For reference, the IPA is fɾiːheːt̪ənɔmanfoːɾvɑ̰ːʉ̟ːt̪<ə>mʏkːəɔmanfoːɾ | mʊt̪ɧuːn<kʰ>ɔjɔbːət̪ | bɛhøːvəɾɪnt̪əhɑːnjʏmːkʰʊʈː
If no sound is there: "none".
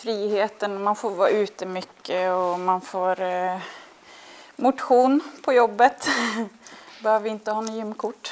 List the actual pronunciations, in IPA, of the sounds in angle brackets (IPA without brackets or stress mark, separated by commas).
ə, pʰ